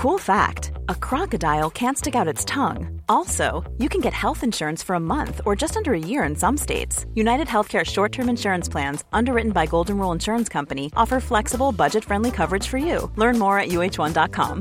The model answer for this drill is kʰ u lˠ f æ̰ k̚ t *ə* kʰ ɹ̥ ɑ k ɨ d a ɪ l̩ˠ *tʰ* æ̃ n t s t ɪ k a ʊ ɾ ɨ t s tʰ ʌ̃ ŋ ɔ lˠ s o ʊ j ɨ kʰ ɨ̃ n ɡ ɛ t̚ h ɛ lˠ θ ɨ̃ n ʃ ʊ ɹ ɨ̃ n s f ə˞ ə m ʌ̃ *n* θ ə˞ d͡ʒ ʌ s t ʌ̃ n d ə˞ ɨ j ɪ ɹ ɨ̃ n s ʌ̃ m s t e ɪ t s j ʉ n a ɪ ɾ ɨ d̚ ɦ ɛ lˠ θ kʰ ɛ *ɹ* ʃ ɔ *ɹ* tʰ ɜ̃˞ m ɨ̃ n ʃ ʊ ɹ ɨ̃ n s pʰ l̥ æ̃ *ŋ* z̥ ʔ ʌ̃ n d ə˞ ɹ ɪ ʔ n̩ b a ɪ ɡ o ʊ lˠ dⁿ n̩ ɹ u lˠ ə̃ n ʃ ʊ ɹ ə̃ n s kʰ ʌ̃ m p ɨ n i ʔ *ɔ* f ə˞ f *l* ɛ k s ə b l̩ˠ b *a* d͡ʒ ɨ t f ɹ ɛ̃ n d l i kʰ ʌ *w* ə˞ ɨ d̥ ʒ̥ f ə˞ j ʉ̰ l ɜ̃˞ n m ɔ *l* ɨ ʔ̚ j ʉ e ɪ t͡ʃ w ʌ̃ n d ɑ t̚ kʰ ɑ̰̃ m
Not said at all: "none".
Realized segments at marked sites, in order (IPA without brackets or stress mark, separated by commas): ə, kʰ, n, ɹ, ɹ, n, ɔ, l, ʌ, v, ɹ